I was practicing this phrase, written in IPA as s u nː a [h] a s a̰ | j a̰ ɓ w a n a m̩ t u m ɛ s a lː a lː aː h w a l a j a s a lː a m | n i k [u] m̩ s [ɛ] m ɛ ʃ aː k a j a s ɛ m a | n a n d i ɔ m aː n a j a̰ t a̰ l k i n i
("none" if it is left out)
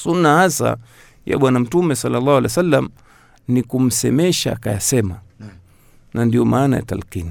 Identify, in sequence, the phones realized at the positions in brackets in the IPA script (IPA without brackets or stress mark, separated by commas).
h, u, ɛ